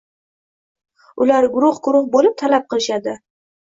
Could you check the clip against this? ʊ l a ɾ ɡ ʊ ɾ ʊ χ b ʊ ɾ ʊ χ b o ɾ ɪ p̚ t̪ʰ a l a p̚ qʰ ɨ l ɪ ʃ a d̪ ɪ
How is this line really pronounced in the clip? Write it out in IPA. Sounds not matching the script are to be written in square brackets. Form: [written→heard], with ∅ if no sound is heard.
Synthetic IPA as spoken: ʊ l a ɾ ɡ ʊ ɾ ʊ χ [b→ɡ] ʊ ɾ ʊ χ b o [ɾ→l] ɪ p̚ t̪ʰ a l a p̚ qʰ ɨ l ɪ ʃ a d̪ ɪ